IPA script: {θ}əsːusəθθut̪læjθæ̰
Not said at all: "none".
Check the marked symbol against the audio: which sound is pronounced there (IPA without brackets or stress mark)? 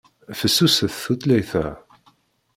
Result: f